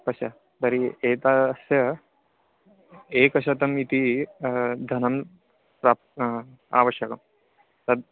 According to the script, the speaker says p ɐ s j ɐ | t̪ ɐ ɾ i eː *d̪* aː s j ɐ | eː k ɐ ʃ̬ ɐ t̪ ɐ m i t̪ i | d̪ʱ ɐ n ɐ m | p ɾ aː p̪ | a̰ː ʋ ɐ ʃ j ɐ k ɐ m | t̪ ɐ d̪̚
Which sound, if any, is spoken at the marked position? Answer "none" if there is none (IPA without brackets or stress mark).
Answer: t̪